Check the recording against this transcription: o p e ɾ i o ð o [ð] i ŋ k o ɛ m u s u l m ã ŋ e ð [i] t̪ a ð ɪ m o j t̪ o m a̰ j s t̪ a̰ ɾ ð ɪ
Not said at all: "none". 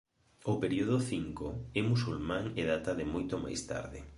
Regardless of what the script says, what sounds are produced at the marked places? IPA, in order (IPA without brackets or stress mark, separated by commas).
θ, a